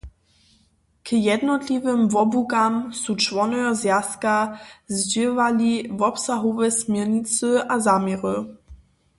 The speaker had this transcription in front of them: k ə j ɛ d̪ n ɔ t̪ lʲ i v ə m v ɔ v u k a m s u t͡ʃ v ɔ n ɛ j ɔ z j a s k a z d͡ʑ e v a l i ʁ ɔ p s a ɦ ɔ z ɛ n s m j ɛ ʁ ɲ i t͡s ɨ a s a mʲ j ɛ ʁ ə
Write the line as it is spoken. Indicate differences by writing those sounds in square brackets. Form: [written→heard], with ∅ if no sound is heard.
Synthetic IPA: k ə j ɛ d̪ n ɔ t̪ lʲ i v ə m v ɔ [v→b] u k a m s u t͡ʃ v ɔ n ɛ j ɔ z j a s k a z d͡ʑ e v a l i [ʁ→v] ɔ p s a ɦ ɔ [z→v] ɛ [n→∅] s m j ɛ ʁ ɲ i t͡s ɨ a [s→z] a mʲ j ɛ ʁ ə